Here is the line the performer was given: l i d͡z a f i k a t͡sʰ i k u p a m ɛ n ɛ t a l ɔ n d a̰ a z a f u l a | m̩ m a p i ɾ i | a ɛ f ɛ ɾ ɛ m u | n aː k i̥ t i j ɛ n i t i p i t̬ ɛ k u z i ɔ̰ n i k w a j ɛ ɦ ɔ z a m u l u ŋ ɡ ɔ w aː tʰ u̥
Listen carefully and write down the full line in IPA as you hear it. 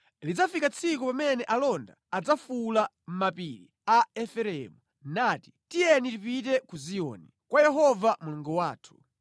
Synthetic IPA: l i d͡z a f i k a t͡sʰ i k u p a m ɛ n ɛ ʔ a l ɔ n d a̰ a d͡z a f u l a | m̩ m a p i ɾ i | a ɛ f ɛ ɾ ɛ m u | n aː t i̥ t i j ɛ n i t i p i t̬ ɛ k u z i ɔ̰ n i k w a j ɛ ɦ ɔ v a m u l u ŋ ɡ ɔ w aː tʰ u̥